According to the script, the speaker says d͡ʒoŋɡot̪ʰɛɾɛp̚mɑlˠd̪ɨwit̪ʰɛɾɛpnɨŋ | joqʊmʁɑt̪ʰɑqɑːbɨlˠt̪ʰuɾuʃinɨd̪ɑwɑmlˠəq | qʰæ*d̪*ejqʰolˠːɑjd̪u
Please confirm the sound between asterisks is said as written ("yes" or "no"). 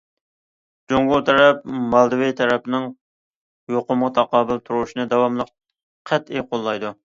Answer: no